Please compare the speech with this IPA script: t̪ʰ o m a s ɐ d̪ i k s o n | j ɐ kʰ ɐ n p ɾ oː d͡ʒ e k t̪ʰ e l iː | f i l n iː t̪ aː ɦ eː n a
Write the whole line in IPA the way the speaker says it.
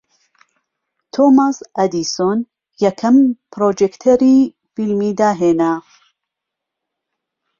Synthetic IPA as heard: t̪ʰ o m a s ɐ d̪ i s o n | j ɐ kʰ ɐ m p ɾ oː d͡ʒ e k t̪ʰ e ɾ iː | f i l m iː d̪ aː ɦ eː n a